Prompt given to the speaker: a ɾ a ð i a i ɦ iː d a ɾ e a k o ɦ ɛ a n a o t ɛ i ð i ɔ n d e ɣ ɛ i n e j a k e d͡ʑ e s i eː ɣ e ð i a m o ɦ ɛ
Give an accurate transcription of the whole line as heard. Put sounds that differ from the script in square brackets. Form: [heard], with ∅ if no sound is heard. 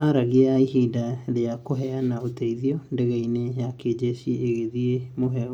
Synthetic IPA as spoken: a ɾ a [ɣ] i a i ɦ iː d a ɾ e a k o ɦ ɛ a n a o t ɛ i ð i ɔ n d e ɣ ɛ i n e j a k e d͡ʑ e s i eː ɣ e ð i [e] m o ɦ ɛ